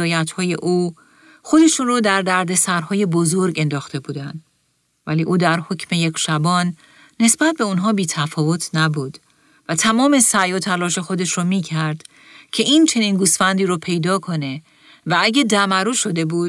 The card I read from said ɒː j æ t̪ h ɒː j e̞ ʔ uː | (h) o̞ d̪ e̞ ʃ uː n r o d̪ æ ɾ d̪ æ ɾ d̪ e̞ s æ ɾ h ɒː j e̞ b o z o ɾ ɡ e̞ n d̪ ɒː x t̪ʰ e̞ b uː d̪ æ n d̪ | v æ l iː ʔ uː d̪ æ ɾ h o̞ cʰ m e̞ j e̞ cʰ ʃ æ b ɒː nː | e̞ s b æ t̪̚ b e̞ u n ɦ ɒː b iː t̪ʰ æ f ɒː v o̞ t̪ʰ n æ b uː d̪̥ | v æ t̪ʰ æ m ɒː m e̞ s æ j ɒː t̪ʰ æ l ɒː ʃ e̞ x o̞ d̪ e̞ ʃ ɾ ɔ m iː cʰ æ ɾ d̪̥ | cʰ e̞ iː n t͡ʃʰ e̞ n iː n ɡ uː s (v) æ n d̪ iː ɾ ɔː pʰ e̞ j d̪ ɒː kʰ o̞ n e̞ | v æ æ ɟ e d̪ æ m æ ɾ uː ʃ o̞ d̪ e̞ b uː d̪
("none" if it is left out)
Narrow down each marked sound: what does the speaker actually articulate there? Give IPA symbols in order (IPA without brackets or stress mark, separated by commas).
x, f